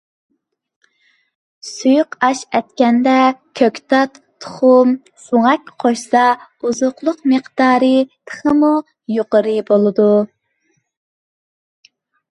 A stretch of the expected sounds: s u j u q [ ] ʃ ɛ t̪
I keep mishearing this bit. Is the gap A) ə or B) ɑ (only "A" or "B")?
B